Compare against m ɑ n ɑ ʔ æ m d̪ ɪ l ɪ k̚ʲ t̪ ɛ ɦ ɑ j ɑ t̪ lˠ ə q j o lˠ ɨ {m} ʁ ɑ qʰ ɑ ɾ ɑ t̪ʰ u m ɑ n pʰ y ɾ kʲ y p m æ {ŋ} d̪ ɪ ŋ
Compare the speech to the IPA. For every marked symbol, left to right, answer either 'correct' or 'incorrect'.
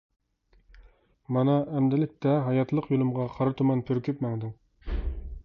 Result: correct, correct

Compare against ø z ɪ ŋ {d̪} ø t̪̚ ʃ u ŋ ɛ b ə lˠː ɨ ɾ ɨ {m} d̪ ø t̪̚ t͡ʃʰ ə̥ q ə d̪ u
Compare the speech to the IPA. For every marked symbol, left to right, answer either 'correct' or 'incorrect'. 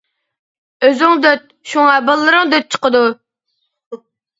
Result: correct, incorrect: ŋ

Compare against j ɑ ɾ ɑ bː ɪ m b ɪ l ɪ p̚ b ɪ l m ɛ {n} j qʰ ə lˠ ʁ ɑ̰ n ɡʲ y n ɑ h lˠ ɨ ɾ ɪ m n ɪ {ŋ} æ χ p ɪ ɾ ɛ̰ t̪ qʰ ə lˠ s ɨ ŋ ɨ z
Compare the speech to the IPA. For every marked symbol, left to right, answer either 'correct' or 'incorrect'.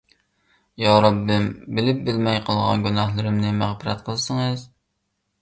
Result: incorrect: none, incorrect: m

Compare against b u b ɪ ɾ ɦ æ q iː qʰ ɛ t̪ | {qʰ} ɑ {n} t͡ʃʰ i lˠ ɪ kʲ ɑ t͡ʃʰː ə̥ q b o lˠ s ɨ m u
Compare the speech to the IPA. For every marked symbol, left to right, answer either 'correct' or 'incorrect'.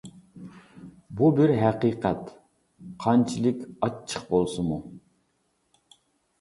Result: correct, correct

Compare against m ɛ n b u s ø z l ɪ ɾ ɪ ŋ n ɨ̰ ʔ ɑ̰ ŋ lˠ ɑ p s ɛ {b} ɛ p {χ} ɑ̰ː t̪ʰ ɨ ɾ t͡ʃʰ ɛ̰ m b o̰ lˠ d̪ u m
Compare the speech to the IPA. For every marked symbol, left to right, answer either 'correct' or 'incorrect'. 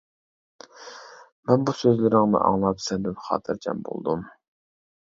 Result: correct, correct

